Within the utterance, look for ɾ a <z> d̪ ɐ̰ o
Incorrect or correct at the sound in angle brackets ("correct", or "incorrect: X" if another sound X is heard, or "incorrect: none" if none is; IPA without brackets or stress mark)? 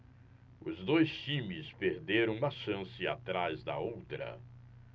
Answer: correct